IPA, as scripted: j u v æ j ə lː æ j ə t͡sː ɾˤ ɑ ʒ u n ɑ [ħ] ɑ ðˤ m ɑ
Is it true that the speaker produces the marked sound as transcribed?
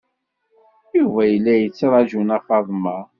no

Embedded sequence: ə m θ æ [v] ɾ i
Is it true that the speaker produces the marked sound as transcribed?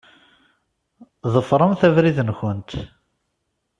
yes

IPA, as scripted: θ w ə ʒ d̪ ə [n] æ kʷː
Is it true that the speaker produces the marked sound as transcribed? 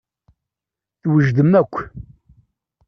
no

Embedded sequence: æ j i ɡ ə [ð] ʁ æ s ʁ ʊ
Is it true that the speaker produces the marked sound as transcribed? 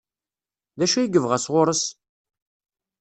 no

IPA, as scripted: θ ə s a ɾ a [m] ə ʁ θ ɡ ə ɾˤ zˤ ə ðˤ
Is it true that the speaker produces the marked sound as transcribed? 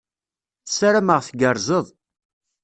yes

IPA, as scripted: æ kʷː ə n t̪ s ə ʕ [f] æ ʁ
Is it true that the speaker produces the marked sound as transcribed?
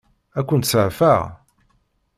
yes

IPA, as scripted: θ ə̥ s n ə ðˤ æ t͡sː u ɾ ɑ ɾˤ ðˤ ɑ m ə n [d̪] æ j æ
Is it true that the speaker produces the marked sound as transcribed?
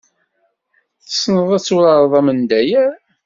yes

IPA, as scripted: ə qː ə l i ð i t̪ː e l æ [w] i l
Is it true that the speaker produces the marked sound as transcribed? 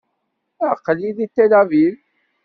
no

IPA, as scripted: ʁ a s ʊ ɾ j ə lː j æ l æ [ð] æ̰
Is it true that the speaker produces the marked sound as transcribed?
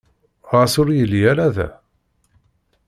yes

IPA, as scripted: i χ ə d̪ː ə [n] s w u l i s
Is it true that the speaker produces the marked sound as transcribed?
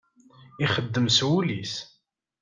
no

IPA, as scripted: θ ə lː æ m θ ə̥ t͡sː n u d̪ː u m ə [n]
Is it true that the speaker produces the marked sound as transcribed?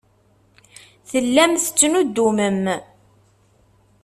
no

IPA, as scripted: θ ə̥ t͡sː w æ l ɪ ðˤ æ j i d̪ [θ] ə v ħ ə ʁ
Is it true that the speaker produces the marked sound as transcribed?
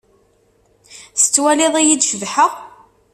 no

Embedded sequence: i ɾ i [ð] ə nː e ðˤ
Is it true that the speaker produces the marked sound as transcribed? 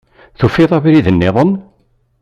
yes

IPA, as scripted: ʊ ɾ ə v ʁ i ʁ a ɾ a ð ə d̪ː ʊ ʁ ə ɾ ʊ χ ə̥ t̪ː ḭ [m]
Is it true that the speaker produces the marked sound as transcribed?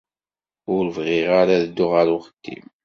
yes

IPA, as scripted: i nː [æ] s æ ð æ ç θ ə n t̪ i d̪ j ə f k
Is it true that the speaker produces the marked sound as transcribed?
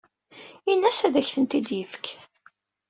yes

